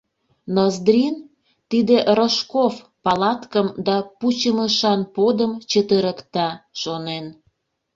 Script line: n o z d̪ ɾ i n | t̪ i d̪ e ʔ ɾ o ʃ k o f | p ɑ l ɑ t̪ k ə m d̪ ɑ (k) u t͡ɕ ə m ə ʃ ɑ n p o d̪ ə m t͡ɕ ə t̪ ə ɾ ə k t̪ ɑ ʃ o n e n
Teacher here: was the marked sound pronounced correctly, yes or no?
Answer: no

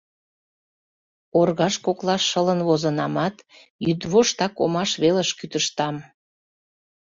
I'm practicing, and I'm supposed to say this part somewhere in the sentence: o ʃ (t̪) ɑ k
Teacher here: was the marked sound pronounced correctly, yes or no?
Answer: yes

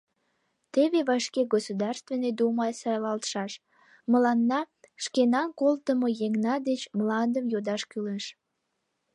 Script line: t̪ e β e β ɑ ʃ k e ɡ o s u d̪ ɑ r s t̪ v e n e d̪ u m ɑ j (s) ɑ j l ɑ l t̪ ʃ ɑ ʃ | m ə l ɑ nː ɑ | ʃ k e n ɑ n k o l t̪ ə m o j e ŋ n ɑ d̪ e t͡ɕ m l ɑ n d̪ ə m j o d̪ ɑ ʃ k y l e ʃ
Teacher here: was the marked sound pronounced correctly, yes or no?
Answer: yes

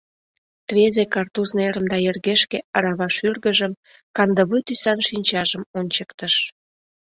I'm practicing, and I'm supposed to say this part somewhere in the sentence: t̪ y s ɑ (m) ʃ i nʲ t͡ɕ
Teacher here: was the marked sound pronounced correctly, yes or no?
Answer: no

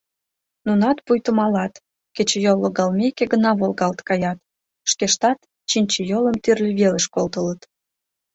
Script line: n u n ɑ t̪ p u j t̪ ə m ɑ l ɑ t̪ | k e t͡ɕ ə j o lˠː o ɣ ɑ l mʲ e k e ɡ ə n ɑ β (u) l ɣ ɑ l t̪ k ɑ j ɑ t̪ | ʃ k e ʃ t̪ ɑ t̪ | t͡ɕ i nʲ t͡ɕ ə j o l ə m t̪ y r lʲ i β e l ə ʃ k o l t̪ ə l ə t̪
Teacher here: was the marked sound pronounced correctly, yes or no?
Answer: no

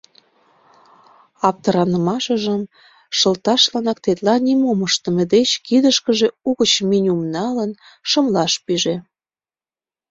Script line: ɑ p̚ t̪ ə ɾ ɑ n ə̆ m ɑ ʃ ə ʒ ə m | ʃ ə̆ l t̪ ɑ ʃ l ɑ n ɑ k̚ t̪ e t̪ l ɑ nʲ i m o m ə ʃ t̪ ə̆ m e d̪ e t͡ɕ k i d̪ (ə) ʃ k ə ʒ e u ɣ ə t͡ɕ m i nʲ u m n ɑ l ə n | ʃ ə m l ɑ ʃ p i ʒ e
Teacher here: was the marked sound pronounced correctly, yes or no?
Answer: yes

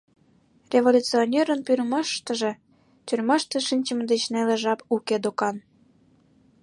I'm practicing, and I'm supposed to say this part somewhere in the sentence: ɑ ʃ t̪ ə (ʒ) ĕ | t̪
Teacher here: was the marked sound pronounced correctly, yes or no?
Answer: yes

